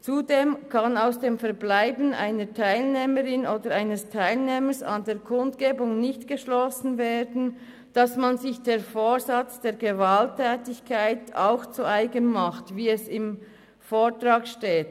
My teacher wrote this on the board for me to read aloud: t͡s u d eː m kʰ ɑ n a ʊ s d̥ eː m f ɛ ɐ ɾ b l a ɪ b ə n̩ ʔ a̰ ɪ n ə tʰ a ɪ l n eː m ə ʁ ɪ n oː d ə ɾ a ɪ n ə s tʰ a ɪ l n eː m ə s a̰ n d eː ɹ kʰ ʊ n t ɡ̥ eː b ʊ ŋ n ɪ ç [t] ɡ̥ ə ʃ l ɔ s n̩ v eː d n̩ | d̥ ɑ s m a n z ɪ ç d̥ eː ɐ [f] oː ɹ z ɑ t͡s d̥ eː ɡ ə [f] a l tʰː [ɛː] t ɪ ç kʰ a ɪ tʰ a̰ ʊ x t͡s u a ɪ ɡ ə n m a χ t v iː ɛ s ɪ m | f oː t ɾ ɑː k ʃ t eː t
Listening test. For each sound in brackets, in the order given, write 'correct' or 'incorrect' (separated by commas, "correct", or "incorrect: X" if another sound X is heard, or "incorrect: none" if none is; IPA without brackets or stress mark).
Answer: correct, correct, incorrect: v, correct